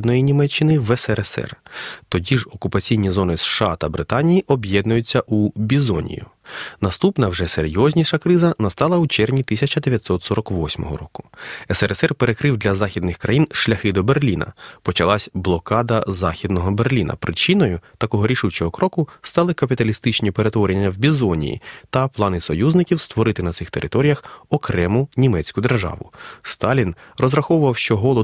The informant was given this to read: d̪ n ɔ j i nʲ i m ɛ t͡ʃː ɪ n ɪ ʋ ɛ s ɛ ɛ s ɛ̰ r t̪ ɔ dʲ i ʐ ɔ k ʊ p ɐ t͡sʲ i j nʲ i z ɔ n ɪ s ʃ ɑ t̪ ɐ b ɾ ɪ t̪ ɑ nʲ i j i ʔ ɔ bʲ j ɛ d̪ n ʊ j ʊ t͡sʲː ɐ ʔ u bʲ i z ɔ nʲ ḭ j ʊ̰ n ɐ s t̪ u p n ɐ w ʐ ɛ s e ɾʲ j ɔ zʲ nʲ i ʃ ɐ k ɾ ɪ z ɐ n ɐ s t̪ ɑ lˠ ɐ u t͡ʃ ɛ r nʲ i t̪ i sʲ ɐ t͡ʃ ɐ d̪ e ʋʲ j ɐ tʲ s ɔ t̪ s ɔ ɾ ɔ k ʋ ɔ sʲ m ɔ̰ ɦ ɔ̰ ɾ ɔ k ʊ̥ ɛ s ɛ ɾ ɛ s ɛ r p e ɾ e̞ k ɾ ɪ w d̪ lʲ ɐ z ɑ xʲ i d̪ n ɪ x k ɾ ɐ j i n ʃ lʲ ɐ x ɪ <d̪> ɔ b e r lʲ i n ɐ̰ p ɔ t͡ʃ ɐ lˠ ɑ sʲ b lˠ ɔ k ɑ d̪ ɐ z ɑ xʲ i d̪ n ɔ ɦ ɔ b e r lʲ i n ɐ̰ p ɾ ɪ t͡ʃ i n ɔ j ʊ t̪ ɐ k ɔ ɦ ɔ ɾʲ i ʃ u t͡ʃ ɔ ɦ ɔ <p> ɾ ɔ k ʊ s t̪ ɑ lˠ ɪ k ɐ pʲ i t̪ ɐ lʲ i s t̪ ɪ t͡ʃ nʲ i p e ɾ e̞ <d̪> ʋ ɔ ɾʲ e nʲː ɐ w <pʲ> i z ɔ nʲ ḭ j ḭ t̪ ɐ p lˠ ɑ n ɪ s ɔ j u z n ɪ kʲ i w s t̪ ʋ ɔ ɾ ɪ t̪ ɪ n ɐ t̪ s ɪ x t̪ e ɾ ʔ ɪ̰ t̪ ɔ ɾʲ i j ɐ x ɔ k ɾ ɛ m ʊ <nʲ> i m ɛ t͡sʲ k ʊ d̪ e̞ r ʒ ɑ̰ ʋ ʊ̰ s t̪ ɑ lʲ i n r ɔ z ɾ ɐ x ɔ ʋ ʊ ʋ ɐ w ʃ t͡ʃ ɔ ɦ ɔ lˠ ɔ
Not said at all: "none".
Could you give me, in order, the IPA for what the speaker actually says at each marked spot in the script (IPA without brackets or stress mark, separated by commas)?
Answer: d̪, k, t̪, bʲ, nʲ